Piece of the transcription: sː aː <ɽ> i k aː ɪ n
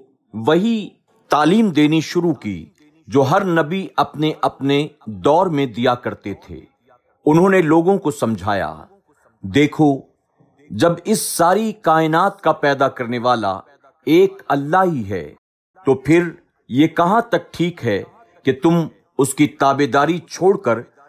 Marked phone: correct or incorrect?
incorrect